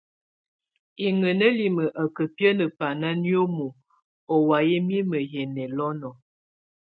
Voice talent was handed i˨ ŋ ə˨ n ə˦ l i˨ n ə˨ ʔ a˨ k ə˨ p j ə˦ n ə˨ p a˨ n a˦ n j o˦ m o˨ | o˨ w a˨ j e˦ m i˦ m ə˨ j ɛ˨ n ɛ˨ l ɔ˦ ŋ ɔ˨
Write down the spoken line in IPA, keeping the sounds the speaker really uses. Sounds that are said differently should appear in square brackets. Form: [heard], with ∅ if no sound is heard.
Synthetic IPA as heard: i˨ ŋ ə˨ n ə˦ l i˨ [m] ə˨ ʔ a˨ k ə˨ p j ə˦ n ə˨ p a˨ n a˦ n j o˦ m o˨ | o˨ w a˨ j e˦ m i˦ m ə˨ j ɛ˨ n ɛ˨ l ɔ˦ [n] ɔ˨